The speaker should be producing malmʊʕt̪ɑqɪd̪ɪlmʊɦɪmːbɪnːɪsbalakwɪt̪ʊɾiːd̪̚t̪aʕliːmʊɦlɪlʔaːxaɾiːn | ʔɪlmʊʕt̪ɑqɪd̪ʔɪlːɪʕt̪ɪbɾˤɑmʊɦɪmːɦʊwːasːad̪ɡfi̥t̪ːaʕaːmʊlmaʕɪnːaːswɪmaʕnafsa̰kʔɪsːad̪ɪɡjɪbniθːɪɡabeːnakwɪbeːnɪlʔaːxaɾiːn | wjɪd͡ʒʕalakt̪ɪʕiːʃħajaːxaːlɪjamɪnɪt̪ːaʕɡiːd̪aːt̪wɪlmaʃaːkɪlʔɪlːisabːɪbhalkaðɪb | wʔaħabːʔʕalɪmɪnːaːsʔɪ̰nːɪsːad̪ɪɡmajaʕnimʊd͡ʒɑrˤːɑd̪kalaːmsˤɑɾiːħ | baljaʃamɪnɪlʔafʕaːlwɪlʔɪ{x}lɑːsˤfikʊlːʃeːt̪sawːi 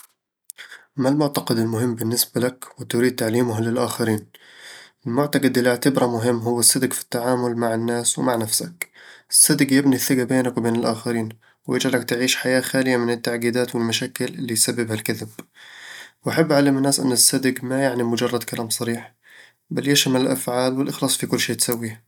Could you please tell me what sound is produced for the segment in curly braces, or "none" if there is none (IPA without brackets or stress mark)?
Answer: x